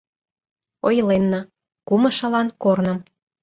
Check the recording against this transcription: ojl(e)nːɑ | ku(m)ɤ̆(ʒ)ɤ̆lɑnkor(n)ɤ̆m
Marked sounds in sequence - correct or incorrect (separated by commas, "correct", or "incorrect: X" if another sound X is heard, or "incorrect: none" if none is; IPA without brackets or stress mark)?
correct, correct, incorrect: ʃ, correct